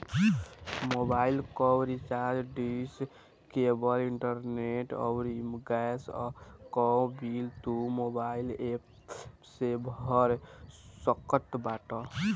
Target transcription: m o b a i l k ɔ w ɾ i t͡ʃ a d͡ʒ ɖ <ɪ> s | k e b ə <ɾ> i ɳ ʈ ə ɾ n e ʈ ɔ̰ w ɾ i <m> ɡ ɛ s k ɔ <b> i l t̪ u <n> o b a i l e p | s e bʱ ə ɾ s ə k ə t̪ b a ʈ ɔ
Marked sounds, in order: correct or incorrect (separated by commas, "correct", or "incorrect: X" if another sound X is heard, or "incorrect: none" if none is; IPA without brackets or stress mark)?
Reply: incorrect: i, incorrect: l, correct, correct, incorrect: m